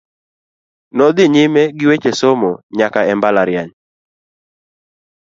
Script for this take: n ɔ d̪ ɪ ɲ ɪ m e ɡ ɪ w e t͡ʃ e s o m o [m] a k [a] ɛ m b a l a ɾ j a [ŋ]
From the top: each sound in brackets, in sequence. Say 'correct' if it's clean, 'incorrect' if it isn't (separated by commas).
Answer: incorrect, correct, incorrect